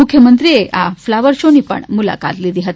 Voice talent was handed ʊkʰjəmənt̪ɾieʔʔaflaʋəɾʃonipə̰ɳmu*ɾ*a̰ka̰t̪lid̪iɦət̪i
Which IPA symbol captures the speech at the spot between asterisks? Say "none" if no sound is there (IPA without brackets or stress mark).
l